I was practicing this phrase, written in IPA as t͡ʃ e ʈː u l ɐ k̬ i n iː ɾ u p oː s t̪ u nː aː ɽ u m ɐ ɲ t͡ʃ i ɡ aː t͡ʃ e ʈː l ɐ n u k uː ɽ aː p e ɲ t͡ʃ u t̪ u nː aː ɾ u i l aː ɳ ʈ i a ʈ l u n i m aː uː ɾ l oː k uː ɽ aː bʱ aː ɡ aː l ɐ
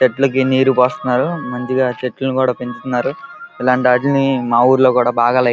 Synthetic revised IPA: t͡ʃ e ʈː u l ɐ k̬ i n iː ɾ u p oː s t̪ u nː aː ɾ u m ɐ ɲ t͡ʃ i ɡ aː t͡ʃ e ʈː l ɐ n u k uː ɽ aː p e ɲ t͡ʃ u t̪ u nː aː ɾ u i l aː ɳ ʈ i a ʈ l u n i m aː uː ɾ l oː k uː ɽ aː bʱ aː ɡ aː l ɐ

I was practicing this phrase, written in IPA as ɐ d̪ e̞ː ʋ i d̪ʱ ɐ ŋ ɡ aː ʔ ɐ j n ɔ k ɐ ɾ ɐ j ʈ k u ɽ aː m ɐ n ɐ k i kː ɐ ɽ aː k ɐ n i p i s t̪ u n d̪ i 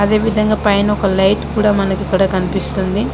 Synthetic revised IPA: ɐ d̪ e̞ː ʋ i d̪ʱ ɐ ŋ ɡ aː p ɐ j n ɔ k ɐ l ɐ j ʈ k uː ɽ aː m ɐ n ɐ k i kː ɐ ɽ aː k ɐ n i p i s t̪ u n d̪ i

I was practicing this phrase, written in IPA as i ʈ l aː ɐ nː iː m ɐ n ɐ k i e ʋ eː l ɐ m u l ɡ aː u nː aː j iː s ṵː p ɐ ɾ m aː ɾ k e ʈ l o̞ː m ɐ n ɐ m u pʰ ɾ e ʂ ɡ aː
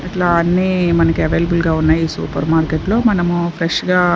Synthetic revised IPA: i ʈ l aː ɐ nː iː m ɐ n ɐ k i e ʋ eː l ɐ b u l ɡ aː u nː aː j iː s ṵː p ɐ ɾ m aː ɾ k e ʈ l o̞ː m ɐ n ɐ m u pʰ ɾ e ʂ ɡ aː

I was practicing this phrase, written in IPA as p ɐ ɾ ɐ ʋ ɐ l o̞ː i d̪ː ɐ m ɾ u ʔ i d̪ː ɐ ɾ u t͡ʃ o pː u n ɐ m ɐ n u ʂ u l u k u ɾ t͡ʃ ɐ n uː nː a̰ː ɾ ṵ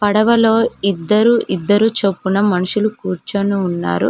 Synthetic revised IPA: p ɐ ɽ ɐ ʋ ɐ l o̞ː i d̪ː ɐ ɾ u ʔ i d̪ː ɐ ɾ u t͡ʃ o pː u n ɐ m ɐ n u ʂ u l u k uː ɾ t͡ʃ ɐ n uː nː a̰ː ɾ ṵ

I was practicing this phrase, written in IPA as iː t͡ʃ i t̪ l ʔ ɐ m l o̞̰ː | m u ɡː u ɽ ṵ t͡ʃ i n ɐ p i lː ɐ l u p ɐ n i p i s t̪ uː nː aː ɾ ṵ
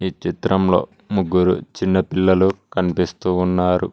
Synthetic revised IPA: iː t͡ʃ i t̪ ɾ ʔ ɐ m l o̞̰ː | m u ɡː u ɾ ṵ t͡ʃ i nː ɐ p i lː ɐ l u k ɐ n i p i s t̪ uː nː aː ɾ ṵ

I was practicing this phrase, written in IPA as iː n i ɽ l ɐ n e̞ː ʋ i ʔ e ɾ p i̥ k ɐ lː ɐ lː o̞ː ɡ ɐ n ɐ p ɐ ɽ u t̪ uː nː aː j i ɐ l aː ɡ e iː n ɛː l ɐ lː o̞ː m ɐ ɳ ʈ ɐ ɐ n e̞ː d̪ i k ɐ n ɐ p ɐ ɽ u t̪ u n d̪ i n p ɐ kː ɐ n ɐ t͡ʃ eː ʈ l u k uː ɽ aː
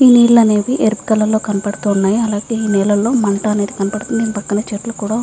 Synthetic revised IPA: iː n iː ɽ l ɐ n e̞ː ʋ i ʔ e ɾ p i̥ k ɐ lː ɐ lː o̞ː k ɐ n ɐ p ɐ ɽ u t̪ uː nː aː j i ɐ l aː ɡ e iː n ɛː l ɐ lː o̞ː m ɐ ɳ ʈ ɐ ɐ n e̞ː d̪ i k ɐ n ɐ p ɐ ɽ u t̪ u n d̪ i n p ɐ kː ɐ n ɐ t͡ʃ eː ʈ l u k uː ɽ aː

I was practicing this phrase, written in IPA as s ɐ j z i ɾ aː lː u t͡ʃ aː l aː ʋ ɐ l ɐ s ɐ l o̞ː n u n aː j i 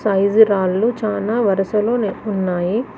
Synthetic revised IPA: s ɐ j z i ɾ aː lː u t͡ʃ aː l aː ʋ ɐ ɾ ɐ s ɐ l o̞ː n u nː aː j i

